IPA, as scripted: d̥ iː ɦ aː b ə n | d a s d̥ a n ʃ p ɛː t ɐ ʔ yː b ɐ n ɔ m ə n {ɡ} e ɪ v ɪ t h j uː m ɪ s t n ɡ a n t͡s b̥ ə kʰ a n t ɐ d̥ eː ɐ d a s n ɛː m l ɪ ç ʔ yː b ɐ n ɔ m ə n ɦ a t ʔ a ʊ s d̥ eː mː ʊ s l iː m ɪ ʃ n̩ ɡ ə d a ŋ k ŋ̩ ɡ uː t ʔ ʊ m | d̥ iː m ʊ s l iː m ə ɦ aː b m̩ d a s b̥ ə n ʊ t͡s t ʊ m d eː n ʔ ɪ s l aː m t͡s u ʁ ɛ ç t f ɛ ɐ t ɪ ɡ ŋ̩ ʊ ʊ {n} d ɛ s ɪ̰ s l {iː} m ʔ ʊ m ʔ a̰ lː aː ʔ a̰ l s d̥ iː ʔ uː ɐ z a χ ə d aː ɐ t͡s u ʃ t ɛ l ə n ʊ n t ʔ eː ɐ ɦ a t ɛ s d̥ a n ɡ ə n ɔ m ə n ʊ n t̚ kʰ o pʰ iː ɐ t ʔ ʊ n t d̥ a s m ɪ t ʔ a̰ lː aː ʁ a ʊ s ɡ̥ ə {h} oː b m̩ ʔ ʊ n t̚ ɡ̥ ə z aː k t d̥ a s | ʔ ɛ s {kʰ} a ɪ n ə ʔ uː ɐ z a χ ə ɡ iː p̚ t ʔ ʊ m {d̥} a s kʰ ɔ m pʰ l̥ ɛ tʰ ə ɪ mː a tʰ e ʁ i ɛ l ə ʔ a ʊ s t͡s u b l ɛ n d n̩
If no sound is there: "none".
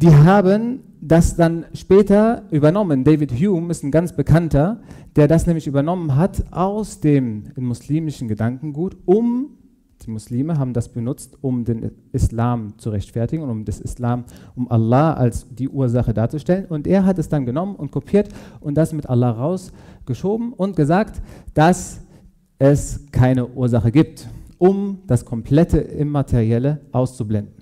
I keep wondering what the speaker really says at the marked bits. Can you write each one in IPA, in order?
d, m, aː, ʃ, kʰ, d̥

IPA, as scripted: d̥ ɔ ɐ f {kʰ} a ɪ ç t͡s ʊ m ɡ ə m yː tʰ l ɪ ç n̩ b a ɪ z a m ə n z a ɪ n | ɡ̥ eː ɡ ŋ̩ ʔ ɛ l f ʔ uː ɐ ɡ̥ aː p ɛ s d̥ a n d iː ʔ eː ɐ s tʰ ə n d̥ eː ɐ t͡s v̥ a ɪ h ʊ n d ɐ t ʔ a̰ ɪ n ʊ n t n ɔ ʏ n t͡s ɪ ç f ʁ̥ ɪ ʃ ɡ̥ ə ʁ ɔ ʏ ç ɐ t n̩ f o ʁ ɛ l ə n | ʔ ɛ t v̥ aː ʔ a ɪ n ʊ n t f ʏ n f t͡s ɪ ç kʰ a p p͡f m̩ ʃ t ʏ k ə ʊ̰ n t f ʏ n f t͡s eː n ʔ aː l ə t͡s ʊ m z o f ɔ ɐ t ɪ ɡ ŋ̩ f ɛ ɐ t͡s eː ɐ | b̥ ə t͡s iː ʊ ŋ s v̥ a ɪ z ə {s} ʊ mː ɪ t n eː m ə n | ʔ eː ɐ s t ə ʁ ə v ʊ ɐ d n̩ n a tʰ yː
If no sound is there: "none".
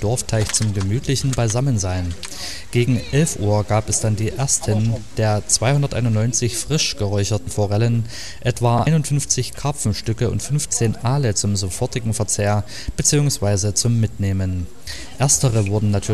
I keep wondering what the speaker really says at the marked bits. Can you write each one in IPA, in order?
tʰ, t͡s

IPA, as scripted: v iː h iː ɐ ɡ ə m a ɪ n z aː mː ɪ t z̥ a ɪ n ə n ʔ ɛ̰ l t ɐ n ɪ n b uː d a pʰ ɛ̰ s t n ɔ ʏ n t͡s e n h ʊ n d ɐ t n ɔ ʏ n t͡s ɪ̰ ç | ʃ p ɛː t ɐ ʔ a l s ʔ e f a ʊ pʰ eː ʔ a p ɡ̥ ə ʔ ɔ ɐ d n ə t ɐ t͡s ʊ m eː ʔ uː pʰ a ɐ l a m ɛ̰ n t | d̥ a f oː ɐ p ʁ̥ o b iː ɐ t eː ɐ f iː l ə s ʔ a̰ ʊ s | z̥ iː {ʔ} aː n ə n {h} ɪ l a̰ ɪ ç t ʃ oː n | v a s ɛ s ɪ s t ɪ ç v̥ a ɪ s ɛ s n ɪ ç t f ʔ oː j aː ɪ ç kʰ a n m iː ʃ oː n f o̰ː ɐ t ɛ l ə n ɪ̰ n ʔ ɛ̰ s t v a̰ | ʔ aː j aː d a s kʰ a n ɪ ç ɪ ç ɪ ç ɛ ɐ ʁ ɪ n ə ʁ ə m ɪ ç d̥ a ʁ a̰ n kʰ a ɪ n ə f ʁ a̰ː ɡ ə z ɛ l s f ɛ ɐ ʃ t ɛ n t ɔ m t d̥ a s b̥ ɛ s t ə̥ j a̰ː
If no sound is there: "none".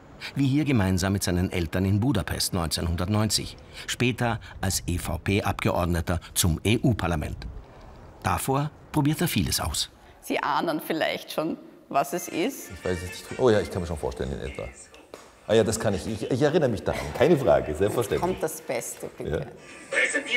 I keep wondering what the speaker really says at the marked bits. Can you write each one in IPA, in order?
ʔ, f

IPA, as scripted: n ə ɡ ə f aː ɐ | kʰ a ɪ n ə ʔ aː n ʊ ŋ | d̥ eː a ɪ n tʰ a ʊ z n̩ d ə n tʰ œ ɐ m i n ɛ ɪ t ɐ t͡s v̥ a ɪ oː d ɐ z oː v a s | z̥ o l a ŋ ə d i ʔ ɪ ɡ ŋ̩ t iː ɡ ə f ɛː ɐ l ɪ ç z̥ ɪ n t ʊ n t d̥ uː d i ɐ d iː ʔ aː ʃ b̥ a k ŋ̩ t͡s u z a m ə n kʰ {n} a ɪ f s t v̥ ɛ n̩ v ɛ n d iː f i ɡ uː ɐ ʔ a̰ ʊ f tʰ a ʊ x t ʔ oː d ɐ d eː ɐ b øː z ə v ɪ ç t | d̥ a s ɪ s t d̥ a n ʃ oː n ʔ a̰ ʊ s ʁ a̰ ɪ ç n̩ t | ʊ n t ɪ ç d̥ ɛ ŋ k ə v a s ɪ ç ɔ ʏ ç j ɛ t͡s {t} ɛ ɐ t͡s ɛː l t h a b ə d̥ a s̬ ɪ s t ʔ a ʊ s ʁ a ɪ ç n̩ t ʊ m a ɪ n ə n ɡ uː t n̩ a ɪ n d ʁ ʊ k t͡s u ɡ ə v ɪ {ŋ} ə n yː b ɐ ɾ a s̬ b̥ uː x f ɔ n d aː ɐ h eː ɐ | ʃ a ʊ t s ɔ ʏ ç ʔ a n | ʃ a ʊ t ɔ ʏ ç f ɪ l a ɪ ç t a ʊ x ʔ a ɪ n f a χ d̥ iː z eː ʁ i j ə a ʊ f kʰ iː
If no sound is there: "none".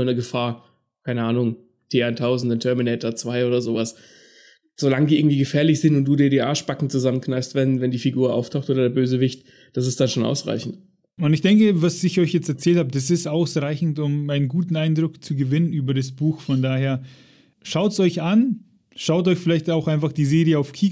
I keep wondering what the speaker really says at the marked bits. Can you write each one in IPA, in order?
n, t, n

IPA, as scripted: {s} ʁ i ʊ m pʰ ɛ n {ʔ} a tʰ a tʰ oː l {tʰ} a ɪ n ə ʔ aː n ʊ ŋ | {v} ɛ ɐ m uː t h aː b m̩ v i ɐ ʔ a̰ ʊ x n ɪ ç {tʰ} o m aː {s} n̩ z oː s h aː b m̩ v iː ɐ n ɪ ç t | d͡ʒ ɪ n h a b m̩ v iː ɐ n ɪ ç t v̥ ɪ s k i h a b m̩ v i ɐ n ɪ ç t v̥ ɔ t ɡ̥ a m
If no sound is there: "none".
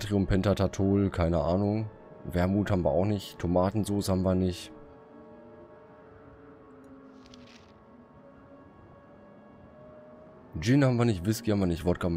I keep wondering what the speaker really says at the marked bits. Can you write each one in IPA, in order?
t, t, kʰ, v, tʰ, t

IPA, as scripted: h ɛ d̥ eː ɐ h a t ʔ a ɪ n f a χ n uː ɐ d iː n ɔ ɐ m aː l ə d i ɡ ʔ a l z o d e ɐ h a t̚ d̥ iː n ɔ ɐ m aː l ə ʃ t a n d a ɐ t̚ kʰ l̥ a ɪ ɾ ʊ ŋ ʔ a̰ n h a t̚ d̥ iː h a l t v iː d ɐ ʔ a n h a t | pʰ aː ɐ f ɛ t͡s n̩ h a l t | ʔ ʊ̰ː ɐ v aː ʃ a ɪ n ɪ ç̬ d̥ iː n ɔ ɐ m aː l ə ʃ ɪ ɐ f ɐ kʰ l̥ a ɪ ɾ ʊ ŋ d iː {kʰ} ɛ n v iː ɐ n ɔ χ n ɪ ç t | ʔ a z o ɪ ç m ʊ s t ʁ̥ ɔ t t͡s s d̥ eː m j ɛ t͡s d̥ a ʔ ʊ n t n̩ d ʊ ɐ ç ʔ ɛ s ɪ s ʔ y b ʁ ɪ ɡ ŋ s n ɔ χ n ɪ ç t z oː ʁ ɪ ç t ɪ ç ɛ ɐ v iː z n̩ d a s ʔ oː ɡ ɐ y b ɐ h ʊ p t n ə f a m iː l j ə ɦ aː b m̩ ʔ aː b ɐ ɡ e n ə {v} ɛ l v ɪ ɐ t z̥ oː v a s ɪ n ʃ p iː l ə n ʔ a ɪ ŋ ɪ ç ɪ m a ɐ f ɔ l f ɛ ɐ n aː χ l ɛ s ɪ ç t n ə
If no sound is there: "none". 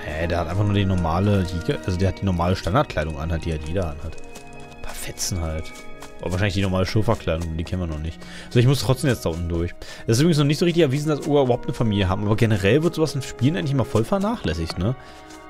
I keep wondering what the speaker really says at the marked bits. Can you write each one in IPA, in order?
kʰ, ʁ

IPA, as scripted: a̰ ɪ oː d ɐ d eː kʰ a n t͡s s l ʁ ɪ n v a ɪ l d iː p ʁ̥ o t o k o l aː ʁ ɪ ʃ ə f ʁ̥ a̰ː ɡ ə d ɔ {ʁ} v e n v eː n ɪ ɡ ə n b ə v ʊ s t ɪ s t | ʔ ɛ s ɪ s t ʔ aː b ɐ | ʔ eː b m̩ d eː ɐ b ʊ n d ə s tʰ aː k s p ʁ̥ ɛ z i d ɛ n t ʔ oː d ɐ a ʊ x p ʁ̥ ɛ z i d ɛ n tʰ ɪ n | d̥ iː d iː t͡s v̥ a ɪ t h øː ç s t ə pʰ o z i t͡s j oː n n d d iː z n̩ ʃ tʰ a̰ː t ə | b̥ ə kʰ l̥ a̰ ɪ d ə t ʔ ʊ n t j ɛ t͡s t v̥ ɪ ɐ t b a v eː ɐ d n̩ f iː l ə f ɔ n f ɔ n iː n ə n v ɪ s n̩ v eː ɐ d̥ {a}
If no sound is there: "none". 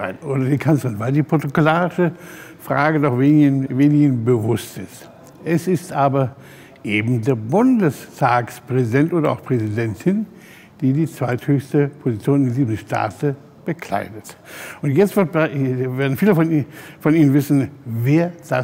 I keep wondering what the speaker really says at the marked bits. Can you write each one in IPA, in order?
χ, a

